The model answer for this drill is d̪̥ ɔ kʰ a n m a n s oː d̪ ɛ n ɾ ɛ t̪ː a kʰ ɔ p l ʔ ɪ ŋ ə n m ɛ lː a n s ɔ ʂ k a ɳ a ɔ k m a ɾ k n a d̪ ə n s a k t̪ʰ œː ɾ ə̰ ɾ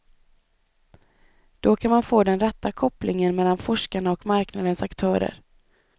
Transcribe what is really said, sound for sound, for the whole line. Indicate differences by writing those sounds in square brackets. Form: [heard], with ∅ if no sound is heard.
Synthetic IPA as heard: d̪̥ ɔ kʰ a n m a n [f] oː d̪ ɛ n ɾ ɛ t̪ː a kʰ ɔ p l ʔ ɪ ŋ ə n m ɛ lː a n [f] ɔ ʂ k a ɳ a ɔ k m a ɾ k n a d̪ ə n s a k t̪ʰ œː ɾ ə̰ ɾ